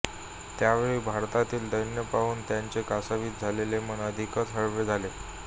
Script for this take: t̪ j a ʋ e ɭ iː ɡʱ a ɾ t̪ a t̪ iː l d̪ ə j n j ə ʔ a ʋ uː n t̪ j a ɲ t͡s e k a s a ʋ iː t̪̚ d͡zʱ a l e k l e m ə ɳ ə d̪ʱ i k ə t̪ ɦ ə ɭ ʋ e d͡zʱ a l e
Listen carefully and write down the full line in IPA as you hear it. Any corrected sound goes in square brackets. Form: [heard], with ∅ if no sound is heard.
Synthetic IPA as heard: t̪ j a ʋ e ɭ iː [bʱ] a ɾ t̪ a t̪ iː l d̪ ə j n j ə [p] a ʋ uː n t̪ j a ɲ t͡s e k a s a ʋ iː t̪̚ d͡zʱ a l e [∅] l e m ə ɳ ə d̪ʱ i k ə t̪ ɦ ə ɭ ʋ e d͡zʱ a l e